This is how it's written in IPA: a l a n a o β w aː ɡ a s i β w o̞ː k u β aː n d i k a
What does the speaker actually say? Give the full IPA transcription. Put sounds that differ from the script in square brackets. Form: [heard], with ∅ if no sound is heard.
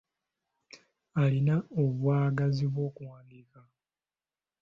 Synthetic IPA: a l [i] n a o β w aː ɡ a [z] i β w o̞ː k u [w] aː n d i k a